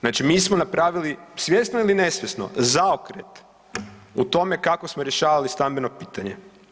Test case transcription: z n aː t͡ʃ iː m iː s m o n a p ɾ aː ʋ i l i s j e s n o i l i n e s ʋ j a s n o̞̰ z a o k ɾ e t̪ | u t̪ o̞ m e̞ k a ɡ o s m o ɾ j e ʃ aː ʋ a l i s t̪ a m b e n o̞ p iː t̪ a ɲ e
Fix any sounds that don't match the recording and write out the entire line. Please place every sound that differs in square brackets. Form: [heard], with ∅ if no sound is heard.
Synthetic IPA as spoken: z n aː t͡ʃ [i] m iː s m o n a p ɾ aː ʋ i l i s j e s n o i l i n e s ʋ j [e] s n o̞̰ z a o k ɾ e t̪ | u t̪ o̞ m e̞ k a [k] o s m o ɾ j e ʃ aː ʋ a l i s t̪ a m b e n o̞ p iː t̪ a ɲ e